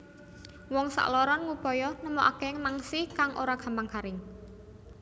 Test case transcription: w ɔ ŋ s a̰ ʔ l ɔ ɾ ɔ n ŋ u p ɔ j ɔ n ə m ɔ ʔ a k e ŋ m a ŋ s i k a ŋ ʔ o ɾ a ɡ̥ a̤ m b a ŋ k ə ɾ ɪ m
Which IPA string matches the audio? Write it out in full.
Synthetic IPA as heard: w ɔ ŋ s a̰ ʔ l ɔ ɾ ɔ n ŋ u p ɔ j ɔ n ə m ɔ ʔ a k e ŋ m a ŋ s i k a ŋ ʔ o ɾ a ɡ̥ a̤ m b a ŋ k a ɾ ɪ ŋ